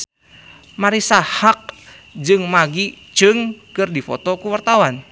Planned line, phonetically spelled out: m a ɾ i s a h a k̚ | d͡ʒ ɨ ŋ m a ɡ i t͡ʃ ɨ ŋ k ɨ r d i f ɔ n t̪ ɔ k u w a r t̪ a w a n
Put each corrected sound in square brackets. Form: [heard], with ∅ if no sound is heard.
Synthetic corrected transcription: m a ɾ i s a h a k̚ | d͡ʒ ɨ ŋ m a ɡ i t͡ʃ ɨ ŋ k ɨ r d i f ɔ [∅] t̪ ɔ k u w a r t̪ a w a n